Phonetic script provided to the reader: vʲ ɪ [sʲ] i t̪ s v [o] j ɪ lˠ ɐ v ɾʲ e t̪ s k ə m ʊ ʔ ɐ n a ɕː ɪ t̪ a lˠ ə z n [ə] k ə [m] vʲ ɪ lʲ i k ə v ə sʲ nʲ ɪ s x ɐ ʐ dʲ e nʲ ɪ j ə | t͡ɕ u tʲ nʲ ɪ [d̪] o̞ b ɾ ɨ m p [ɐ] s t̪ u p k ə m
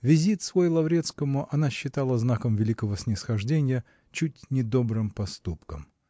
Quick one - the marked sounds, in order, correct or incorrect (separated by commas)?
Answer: incorrect, correct, incorrect, correct, correct, correct